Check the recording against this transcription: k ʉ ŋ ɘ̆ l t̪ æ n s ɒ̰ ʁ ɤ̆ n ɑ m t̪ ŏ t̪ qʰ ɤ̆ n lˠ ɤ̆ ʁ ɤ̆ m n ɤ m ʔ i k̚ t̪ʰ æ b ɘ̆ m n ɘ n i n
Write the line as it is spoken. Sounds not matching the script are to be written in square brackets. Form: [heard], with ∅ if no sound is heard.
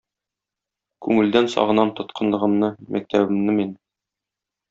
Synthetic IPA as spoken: k ʉ ŋ ɘ̆ l [d̪] æ n s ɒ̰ ʁ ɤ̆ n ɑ m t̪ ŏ t̪ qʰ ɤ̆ n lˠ ɤ̆ ʁ ɤ̆ m n ɤ m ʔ [æ] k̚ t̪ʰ æ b ɘ̆ m n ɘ [m] i n

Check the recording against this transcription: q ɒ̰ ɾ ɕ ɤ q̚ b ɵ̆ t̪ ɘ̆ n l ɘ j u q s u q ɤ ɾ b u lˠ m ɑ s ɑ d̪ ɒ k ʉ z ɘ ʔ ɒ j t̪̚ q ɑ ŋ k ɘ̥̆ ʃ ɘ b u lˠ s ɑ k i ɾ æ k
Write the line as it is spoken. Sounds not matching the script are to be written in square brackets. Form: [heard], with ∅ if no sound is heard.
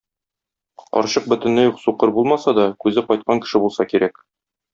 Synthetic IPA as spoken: q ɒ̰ ɾ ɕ ɤ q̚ b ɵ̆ t̪ ɘ̆ n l ɘ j u q s u q ɤ ɾ b u lˠ m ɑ s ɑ d̪ ɒ k ʉ z ɘ [q] ɒ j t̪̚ q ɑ ŋ k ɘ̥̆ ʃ ɘ b u lˠ s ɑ k i ɾ æ k

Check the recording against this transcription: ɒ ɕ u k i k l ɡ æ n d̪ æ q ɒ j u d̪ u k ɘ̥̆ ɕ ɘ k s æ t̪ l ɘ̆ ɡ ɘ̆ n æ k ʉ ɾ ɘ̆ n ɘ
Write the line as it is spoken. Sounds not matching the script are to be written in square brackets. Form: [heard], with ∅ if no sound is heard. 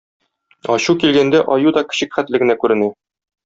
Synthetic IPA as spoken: ɒ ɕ u k i [∅] l ɡ æ n d̪ æ [ʔ] ɒ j u d̪ [ɒ] k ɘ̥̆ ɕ ɘ k [χ] æ t̪ l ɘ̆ ɡ ɘ̆ n æ k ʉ ɾ ɘ̆ n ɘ

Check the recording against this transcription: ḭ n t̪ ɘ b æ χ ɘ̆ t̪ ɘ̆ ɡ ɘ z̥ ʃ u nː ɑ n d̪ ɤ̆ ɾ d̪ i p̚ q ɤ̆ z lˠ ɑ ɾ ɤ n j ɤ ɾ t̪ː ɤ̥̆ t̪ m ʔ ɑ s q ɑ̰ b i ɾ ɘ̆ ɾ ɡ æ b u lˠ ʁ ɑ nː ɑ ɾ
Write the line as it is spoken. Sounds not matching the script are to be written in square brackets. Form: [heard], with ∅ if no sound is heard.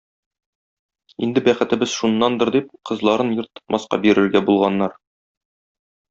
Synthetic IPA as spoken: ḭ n [d̪] ɘ b æ χ ɘ̆ t̪ ɘ̆ [b] ɘ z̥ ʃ u nː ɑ n d̪ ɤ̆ ɾ d̪ i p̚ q ɤ̆ z lˠ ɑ ɾ ɤ n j ɤ ɾ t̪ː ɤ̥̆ t̪ m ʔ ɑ s q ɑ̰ b i ɾ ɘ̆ ɾ ɡ æ b u lˠ ʁ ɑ nː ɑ ɾ

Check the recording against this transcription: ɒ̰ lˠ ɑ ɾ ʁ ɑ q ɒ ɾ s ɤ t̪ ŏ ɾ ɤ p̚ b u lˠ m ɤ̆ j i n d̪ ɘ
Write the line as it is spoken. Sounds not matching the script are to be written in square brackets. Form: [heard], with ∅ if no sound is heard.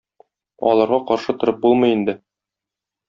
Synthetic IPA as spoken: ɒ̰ lˠ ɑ ɾ ʁ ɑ q ɒ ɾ [ʃ] ɤ t̪ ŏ ɾ ɤ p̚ b u lˠ m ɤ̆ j i n d̪ ɘ

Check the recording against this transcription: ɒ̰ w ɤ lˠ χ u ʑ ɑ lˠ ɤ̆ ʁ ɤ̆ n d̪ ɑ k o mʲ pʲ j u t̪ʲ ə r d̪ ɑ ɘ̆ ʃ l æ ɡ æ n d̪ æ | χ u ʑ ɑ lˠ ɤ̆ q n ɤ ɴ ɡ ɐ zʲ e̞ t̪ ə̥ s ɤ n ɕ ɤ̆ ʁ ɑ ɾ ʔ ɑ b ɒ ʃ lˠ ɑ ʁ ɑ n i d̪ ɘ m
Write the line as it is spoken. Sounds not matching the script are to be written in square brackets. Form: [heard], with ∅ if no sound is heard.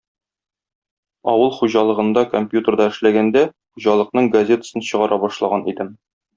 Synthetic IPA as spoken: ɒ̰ w ɤ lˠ χ u ʑ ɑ lˠ ɤ̆ ʁ ɤ̆ n d̪ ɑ k o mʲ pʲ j u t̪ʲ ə r d̪ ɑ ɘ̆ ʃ l æ ɡ æ n d̪ æ | χ u ʑ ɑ lˠ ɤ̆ q n ɤ ɴ ɡ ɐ zʲ e̞ t̪ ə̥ s ɤ n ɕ ɤ̆ ʁ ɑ ɾ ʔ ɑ b ɒ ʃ lˠ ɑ ʁ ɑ n i d̪ ɘ m

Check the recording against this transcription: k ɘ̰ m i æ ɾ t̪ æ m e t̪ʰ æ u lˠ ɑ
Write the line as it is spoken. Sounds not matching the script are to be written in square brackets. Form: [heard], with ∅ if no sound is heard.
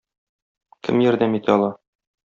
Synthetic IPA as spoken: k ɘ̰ m [j] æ ɾ [d̪] æ m [i] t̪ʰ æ [ɒ] lˠ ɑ

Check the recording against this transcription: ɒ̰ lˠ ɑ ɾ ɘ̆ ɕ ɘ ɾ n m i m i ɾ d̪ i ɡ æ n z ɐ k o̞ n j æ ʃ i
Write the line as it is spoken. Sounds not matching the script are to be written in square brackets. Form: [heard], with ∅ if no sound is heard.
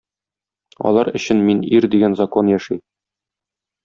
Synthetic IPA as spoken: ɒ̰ lˠ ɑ ɾ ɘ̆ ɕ ɘ [∅] n m i [n] i ɾ d̪ i ɡ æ n z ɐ k o̞ n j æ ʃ i

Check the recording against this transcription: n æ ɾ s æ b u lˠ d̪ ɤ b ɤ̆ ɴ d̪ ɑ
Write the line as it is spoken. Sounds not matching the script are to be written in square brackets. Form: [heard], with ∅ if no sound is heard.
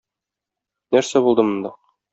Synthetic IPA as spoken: n æ ɾ s æ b u lˠ d̪ ɤ [m] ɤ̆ [n] d̪ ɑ

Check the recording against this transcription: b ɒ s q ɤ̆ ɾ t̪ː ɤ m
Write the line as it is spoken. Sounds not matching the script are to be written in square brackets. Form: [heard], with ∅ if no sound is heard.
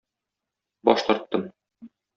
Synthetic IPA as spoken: b ɒ [ʃ] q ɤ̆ ɾ t̪ː ɤ m

